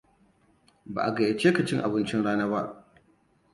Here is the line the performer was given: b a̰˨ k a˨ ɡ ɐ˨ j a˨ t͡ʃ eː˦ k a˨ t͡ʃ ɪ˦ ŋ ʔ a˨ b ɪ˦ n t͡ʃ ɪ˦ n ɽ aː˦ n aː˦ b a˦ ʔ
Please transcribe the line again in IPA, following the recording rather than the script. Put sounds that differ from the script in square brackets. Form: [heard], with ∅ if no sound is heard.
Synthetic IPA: b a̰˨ [ʔ] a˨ ɡ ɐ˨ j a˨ t͡ʃ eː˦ k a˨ t͡ʃ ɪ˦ ŋ ʔ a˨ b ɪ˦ n t͡ʃ ɪ˦ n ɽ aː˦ n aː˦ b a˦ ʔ

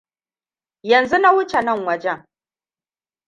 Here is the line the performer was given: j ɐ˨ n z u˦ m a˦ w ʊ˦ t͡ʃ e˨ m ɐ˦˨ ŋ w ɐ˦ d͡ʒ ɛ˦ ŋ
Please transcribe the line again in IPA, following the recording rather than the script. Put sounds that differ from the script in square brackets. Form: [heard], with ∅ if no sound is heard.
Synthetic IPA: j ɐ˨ n z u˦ [n] a˦ w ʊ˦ t͡ʃ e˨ [n] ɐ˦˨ ŋ w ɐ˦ d͡ʒ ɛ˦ ŋ

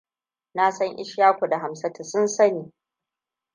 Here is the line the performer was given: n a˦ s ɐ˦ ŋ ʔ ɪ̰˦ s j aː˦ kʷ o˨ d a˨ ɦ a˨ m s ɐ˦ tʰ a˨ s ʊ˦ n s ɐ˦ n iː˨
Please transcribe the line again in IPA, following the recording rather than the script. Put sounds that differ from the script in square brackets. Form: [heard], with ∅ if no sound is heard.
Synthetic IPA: n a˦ s ɐ˦ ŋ ʔ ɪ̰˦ [ʃ] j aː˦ kʷ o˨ d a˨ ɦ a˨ m s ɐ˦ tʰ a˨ s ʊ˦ n s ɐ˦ n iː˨

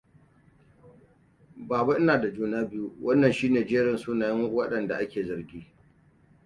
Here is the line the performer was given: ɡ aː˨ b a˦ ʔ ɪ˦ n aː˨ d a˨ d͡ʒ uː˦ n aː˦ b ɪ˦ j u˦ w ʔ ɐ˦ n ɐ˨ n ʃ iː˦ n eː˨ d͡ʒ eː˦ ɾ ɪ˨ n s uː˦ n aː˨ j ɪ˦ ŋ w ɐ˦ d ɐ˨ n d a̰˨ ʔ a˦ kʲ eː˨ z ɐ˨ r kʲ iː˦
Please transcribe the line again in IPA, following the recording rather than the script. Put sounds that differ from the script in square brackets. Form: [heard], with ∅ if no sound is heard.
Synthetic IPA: [b] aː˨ b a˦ ʔ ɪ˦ n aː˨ d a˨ d͡ʒ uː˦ n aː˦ b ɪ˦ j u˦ w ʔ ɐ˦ [nː] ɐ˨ n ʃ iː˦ n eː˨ d͡ʒ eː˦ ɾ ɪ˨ n s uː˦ n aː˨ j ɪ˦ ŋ w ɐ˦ [ɗ] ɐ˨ n d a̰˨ ʔ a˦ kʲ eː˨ z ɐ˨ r [ɡʲ] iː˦

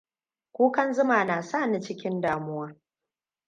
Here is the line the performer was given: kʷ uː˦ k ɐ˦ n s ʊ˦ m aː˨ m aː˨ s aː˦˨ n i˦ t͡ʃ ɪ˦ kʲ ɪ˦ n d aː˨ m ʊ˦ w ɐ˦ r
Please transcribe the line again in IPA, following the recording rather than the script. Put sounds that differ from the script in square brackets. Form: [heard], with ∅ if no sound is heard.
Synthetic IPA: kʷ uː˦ k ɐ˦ n [z] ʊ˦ m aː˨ [n] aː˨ s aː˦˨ n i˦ t͡ʃ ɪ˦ kʲ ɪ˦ n d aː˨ m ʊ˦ w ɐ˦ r

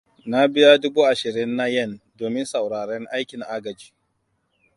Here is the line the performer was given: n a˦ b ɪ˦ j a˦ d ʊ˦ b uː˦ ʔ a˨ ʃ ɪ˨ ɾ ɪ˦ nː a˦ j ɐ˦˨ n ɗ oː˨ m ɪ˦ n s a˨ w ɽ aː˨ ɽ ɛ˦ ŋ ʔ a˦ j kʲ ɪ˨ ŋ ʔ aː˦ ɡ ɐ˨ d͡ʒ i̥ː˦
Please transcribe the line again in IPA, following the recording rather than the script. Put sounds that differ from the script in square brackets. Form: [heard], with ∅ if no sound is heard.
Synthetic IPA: n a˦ b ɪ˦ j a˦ d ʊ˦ b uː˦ ʔ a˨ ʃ ɪ˨ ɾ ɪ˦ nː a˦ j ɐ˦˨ n [d] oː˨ m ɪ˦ n s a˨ w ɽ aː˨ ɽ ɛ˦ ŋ ʔ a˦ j kʲ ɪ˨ ŋ ʔ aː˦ ɡ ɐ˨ d͡ʒ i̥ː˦

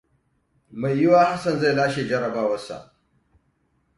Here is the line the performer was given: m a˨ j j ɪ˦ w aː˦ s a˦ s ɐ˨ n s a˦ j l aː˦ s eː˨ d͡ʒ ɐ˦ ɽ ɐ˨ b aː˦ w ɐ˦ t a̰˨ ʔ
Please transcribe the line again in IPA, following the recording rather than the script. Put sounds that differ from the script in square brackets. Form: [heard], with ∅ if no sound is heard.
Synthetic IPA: m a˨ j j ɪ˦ w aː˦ [h] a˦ s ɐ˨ n [z] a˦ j l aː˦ [ʃ] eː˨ d͡ʒ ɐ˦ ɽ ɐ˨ b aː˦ w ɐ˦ [s] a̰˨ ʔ

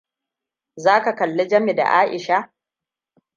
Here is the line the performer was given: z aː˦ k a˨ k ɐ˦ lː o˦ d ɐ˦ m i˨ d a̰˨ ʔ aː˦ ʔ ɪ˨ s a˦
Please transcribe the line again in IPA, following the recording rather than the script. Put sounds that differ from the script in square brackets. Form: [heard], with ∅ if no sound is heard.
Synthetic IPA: z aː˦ k a˨ k [ɐ˨] lː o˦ [d͡ʒ] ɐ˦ m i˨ d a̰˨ ʔ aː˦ ʔ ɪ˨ [ʃ] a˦

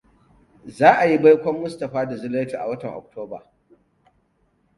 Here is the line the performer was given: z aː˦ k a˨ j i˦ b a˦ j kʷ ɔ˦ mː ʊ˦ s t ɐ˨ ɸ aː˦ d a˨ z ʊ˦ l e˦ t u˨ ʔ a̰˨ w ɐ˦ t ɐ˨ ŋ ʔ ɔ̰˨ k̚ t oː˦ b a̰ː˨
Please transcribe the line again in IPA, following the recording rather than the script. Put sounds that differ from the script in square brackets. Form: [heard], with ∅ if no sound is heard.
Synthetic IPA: z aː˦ [ʔ] a˨ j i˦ b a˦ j kʷ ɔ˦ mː ʊ˦ s t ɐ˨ ɸ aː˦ d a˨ z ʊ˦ l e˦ t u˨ ʔ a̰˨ w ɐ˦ t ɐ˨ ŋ ʔ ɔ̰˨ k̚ t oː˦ b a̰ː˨

